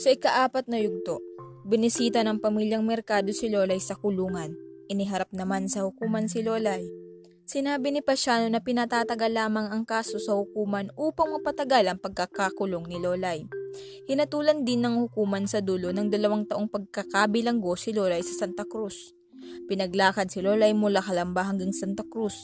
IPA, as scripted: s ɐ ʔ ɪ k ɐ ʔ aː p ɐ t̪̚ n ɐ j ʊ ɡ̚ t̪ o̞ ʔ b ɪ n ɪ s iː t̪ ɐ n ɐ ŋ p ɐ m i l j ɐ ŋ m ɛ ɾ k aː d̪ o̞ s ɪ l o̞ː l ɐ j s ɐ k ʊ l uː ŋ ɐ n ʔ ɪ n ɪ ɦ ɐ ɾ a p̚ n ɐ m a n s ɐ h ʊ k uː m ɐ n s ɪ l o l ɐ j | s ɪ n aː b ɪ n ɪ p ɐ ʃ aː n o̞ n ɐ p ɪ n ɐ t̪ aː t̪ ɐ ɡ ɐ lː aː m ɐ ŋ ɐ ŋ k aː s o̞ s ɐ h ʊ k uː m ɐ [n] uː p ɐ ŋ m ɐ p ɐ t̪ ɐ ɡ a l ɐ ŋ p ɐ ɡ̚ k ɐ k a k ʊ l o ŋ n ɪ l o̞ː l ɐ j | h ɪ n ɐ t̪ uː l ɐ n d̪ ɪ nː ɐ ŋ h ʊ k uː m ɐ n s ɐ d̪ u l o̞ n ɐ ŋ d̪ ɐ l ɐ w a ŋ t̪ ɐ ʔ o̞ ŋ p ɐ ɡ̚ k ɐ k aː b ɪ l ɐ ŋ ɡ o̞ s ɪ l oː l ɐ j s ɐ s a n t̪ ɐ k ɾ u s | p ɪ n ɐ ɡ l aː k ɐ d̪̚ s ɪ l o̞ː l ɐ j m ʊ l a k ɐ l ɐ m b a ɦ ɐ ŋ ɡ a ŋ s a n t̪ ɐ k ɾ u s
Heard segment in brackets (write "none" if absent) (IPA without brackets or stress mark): n